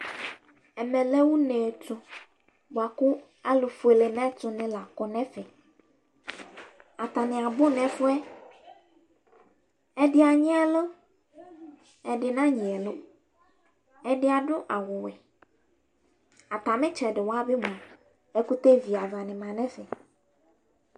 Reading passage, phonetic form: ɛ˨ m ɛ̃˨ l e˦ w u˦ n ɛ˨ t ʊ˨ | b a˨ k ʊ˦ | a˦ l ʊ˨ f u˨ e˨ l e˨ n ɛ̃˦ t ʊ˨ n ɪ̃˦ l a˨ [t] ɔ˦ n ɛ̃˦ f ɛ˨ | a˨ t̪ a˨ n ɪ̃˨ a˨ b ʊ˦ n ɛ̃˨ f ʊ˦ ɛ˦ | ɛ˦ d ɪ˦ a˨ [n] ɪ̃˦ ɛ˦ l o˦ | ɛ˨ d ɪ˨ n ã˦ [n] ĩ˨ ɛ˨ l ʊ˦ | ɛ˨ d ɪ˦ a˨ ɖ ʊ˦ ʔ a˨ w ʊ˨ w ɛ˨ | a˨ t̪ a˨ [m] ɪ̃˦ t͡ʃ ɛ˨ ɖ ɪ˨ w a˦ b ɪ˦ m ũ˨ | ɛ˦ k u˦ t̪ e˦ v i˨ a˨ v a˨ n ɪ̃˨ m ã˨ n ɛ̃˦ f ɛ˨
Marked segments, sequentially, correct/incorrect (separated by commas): incorrect, incorrect, incorrect, correct